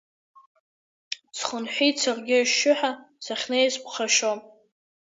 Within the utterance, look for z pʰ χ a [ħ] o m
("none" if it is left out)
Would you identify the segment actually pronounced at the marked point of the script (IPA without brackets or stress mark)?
ʃ